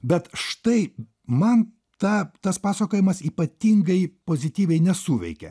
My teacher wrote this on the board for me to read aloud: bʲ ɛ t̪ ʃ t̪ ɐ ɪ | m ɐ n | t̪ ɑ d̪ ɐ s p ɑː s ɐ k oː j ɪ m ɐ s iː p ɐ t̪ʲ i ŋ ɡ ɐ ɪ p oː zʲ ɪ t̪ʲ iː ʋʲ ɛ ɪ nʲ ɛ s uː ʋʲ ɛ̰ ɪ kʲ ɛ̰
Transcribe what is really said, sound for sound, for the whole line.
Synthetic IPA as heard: bʲ ɛ t̪ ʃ t̪ ɐ ɪ | m ɐ n | t̪ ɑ t̪ ɐ s p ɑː s ɐ k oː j ɪ m ɐ s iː p ɐ t̪ʲ i ŋ ɡ ɐ ɪ p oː zʲ ɪ t̪ʲ iː ʋʲ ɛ ɪ nʲ ɛ s uː ʋʲ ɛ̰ ɪ kʲ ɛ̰